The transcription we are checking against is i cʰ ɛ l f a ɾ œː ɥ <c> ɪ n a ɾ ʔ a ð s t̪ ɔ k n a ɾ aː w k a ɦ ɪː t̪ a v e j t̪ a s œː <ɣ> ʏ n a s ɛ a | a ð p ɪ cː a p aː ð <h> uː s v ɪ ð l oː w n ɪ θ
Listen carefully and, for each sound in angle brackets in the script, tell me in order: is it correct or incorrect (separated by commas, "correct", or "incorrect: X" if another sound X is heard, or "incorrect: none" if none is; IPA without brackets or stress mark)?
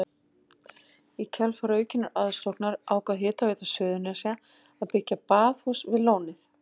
correct, incorrect: ð, correct